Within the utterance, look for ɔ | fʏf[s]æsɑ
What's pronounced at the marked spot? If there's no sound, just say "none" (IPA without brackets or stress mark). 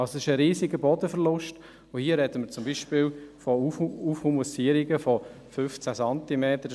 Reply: t͡s